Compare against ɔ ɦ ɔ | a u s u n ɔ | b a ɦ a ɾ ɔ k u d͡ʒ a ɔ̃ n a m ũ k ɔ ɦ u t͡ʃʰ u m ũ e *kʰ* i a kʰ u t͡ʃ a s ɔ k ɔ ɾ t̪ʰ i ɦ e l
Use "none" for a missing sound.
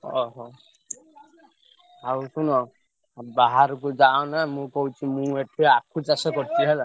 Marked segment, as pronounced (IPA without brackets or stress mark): ʈʰ